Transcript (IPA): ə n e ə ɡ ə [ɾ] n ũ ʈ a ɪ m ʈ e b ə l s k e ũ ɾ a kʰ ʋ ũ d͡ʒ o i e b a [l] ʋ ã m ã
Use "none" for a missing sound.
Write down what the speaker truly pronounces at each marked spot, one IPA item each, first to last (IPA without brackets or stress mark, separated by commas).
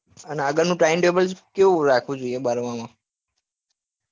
ɾ, ɾ